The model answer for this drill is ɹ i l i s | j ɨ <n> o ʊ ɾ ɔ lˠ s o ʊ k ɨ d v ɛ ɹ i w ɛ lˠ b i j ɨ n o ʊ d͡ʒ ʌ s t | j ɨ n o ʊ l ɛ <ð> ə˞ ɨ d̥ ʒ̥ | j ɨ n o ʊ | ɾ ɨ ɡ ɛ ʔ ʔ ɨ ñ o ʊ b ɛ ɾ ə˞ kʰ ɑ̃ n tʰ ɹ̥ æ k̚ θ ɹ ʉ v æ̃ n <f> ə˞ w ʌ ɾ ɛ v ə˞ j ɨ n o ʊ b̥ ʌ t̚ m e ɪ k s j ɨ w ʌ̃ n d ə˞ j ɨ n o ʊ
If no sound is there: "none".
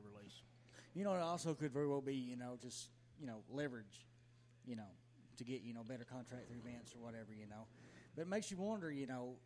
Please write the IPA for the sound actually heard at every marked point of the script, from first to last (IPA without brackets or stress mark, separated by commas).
n, v, s